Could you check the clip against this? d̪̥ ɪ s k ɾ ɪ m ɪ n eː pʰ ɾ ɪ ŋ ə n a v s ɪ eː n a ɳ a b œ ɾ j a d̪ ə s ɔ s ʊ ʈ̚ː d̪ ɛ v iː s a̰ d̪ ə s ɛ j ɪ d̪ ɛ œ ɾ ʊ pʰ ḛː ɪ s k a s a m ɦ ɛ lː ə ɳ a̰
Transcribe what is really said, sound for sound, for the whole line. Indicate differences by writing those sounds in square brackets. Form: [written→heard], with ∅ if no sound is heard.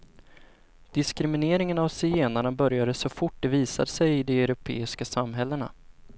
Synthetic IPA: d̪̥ ɪ s k ɾ ɪ m ɪ n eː [pʰ→∅] ɾ ɪ ŋ ə n a v s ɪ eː n a ɳ a b œ ɾ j a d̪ ə s ɔ [s→f] ʊ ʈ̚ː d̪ ɛ v iː s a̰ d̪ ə s ɛ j ɪ d̪ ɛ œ ɾ ʊ pʰ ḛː ɪ s k a s a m ɦ ɛ lː ə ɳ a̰